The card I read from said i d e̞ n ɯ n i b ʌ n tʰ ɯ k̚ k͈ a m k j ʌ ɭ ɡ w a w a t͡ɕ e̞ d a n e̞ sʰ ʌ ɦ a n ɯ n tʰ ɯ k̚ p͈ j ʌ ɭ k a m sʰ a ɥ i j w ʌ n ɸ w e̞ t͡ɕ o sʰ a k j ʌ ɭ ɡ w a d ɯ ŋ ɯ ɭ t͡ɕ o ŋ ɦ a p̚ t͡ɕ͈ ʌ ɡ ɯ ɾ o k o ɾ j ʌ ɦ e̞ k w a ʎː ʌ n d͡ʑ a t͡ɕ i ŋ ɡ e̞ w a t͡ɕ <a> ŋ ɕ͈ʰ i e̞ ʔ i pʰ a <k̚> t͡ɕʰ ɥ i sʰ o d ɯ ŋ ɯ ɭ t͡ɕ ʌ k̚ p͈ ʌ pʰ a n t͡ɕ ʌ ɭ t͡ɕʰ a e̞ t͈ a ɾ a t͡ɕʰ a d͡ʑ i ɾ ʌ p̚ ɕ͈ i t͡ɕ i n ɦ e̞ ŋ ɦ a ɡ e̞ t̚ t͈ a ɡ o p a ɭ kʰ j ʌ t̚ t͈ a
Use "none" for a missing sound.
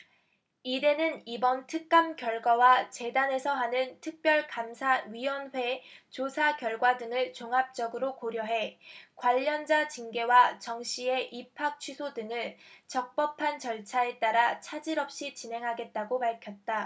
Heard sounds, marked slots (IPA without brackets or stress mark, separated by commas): ʌ, k̚